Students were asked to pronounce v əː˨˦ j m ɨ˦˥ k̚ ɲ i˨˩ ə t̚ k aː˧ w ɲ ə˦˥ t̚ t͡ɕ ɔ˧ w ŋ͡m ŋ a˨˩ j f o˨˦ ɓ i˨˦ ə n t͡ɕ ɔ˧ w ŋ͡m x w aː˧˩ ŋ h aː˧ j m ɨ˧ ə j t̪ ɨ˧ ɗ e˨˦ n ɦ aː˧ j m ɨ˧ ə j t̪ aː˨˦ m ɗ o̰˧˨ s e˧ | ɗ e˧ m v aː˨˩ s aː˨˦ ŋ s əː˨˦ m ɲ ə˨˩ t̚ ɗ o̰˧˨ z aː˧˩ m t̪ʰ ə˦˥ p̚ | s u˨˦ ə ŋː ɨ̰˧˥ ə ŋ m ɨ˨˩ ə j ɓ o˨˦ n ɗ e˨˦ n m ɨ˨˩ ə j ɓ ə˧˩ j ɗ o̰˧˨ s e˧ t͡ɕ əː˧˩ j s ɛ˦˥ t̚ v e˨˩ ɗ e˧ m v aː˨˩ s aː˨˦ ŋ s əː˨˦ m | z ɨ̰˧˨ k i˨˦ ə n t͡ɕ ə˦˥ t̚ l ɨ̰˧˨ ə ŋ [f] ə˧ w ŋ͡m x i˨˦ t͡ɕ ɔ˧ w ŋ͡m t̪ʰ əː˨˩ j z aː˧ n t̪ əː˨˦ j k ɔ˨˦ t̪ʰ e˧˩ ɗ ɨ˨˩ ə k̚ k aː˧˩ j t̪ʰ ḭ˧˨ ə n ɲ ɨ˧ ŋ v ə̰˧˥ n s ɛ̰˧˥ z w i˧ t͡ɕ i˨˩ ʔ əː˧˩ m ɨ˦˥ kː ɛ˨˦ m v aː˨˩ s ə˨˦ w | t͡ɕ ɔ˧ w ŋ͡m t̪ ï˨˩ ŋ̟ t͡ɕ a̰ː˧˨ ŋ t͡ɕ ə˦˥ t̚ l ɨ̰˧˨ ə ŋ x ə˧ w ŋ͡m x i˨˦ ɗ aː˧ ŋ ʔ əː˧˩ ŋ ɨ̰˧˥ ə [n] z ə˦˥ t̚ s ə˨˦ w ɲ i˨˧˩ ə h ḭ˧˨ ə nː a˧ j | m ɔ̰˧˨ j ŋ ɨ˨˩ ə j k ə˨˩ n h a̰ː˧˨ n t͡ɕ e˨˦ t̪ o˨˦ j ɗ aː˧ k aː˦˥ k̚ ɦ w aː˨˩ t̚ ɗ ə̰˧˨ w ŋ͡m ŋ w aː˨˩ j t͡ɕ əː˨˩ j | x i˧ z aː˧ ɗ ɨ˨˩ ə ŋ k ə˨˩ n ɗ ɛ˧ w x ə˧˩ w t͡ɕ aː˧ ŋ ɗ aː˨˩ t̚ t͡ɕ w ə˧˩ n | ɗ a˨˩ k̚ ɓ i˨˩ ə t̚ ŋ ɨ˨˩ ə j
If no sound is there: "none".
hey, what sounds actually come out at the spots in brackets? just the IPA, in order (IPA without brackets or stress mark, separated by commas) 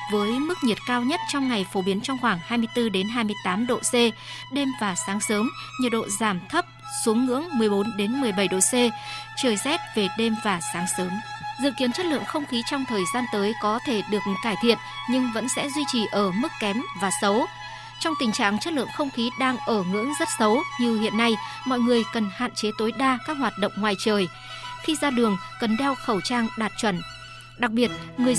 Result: x, ŋ